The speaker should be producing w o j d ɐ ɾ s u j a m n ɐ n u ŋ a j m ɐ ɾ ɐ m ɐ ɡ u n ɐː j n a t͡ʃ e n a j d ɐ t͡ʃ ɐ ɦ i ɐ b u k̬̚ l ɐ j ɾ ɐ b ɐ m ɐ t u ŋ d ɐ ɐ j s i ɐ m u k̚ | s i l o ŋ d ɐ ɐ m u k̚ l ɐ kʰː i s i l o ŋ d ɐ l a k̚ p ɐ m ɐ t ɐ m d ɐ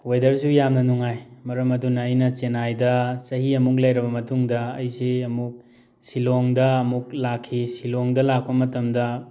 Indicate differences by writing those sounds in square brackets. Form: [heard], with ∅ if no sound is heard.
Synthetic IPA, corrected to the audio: w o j d ɐ ɾ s u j a m n ɐ n u ŋ a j m ɐ ɾ ɐ m ɐ [d] u n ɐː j n [ɐ] t͡ʃ e n a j d ɐ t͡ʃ ɐ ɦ i ɐ [m] u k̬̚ l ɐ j ɾ ɐ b ɐ m ɐ t u ŋ d ɐ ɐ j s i ɐ m u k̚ | s i l o ŋ d ɐ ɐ m u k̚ l [a] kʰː i s i l o ŋ d ɐ l a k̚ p ɐ m ɐ t ɐ m d ɐ

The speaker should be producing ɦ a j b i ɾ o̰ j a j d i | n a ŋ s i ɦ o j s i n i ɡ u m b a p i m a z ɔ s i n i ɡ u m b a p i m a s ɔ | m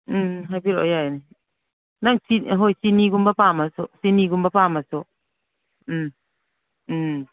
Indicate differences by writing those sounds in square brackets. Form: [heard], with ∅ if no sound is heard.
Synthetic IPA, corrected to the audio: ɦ a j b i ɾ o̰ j a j [n] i | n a ŋ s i ɦ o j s i n i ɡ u m b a p [a] m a [s] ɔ s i n i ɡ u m b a p [a] m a s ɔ | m

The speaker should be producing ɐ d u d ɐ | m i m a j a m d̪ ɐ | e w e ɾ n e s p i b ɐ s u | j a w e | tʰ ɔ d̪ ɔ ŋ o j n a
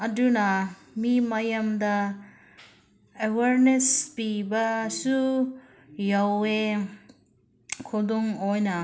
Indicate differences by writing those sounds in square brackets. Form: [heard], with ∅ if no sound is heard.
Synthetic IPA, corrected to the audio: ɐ d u [n] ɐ | m i m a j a m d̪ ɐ | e w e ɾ n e s p i b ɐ s u | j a w e | [kʰ] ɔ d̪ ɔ ŋ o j n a

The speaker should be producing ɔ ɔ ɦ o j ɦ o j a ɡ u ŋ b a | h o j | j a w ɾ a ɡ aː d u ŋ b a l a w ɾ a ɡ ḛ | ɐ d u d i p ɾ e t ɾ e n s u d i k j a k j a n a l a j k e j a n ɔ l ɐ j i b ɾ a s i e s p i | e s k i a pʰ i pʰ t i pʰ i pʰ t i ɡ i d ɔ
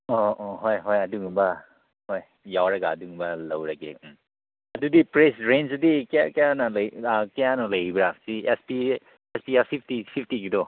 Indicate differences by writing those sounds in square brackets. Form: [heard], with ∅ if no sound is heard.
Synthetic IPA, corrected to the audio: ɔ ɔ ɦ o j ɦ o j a [d] u ŋ b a | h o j | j a w ɾ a ɡ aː d u ŋ b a l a w ɾ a ɡ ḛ | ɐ d u d i p ɾ e [s] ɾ e n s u d i k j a k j a n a l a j k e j a n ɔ l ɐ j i b ɾ a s i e s p i | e s [p] i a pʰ i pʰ t i pʰ i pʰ t i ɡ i d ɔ

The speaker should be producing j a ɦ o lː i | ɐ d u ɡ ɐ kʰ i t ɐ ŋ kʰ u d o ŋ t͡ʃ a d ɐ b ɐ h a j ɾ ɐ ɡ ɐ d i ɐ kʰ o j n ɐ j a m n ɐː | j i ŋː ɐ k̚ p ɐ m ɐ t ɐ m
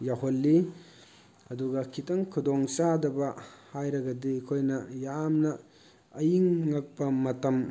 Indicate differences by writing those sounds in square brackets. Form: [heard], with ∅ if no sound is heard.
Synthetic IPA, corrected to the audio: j a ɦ o lː i | ɐ d u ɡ ɐ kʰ i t ɐ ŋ kʰ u d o ŋ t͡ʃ a d ɐ b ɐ h a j ɾ ɐ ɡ ɐ d i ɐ kʰ o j n ɐ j a m n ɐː | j i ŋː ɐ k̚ p ɐ m ɐ t ɐ m

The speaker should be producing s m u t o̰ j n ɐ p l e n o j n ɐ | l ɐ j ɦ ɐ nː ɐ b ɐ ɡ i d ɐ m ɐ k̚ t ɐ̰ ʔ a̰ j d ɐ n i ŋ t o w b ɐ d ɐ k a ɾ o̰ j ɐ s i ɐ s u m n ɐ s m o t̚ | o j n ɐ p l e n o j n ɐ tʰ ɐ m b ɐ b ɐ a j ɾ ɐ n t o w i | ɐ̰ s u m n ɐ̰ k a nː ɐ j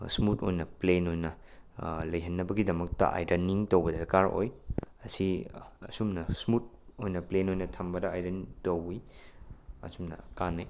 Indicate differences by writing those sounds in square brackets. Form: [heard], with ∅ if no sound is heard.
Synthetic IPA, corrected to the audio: s m u t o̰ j n ɐ p l e n o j n ɐ | l ɐ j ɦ ɐ nː ɐ b ɐ ɡ i d ɐ m ɐ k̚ t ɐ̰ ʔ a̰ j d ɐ n i ŋ t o w b ɐ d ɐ k a ɾ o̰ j ɐ s i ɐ s u m n ɐ s m [u] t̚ | o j n ɐ p l e n o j n ɐ tʰ ɐ m b ɐ [d] ɐ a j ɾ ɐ n t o w i | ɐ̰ s u m n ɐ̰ k a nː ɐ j

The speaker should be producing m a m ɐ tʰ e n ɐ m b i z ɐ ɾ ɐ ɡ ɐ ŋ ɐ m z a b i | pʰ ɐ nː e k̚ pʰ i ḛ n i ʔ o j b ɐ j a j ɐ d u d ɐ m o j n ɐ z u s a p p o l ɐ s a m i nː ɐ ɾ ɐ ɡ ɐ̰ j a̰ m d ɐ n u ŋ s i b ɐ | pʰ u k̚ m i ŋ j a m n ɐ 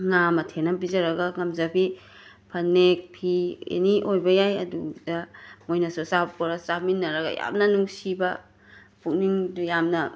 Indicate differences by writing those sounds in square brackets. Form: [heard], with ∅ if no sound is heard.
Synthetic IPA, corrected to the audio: [ŋ] a m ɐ tʰ e n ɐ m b i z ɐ ɾ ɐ ɡ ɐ ŋ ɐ m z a b i | pʰ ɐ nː e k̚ pʰ i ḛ n i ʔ o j b ɐ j a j ɐ d u d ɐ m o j n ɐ [s] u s a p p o [ɾ] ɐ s a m i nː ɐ ɾ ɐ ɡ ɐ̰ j a̰ m [n] ɐ n u ŋ s i b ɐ | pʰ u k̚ [n] i ŋ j a m n ɐ

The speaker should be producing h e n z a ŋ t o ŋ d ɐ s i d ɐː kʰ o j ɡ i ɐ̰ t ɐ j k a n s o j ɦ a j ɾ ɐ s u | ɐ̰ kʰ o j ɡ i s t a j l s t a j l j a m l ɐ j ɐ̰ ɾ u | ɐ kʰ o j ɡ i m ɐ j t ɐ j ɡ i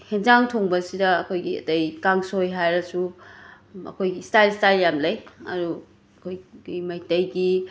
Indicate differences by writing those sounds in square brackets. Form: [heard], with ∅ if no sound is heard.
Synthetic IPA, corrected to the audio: h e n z a ŋ [tʰ] o ŋ [b] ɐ s i d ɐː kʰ o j ɡ i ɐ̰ t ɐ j k a [ŋ] s o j ɦ a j ɾ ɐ s u | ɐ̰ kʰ o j ɡ i s t a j l s t a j l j a m l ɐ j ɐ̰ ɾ u | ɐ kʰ o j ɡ i m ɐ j t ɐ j ɡ i

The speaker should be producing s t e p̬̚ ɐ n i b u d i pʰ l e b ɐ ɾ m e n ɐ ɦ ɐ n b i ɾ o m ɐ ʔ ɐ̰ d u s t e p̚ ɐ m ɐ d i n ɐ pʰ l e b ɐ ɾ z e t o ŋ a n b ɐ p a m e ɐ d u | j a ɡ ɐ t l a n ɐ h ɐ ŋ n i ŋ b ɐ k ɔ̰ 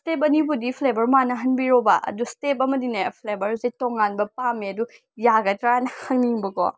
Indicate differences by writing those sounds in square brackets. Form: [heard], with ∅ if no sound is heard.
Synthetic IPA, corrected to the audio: s t e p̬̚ ɐ n i b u d i pʰ l e b ɐ ɾ m [a] n ɐ ɦ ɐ n b i ɾ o [b] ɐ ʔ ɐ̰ d u s t e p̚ ɐ m ɐ d i n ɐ pʰ l e b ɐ ɾ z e t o ŋ a n b ɐ p a m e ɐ d u | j a ɡ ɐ t [ɾ] a n ɐ h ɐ ŋ n i ŋ b ɐ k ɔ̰

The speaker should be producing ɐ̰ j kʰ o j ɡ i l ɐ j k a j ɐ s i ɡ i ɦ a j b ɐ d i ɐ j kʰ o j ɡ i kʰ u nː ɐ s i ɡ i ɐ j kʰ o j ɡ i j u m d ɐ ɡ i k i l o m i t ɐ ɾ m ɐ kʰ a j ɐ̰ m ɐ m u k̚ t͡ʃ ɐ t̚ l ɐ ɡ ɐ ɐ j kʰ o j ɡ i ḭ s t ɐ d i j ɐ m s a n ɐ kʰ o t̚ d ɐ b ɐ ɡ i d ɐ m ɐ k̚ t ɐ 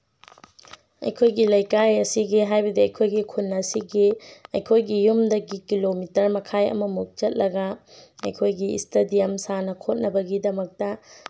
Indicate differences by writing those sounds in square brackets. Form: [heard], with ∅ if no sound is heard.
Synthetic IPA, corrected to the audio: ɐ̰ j kʰ o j ɡ i l ɐ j k a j ɐ s i ɡ i ɦ a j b ɐ d i ɐ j kʰ o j ɡ i kʰ u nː ɐ s i ɡ i ɐ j kʰ o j ɡ i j u m d ɐ ɡ i k i l o m i t ɐ ɾ m ɐ kʰ a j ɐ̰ m ɐ m u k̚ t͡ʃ ɐ t̚ l ɐ ɡ ɐ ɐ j kʰ o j ɡ i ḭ s t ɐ d i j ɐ m s a n ɐ kʰ o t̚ [n] ɐ b ɐ ɡ i d ɐ m ɐ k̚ t ɐ

